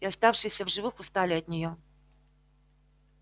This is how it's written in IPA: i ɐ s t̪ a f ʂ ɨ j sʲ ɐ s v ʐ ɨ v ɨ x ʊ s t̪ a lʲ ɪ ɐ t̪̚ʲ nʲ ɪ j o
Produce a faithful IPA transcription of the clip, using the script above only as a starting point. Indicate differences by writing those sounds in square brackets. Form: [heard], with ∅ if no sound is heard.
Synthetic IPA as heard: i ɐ s t̪ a f ʂ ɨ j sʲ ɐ [∅] v ʐ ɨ v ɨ x ʊ s t̪ a lʲ ɪ ɐ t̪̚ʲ nʲ ɪ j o

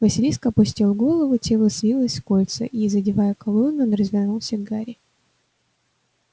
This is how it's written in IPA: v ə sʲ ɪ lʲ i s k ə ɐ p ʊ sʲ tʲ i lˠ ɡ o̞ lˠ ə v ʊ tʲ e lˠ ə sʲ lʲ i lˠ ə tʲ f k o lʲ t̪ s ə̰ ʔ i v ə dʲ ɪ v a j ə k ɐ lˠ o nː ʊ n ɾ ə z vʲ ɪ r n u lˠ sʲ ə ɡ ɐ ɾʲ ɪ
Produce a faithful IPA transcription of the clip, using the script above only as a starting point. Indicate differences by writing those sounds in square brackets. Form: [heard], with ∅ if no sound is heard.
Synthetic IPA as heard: v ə sʲ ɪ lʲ i s k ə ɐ p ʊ sʲ tʲ i lˠ ɡ o̞ lˠ ə v ʊ tʲ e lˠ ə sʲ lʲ i lˠ ə [sʲ] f k o lʲ t̪ s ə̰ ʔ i [z] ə dʲ ɪ v a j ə k ɐ lˠ o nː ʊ n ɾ ə z vʲ ɪ r n u lˠ sʲ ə ɡ [a] ɾʲ ɪ

